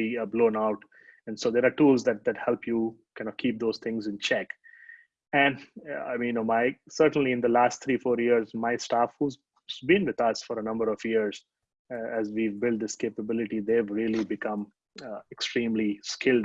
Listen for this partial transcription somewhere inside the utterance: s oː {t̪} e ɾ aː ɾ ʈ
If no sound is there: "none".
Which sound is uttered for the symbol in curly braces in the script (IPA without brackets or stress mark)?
d̪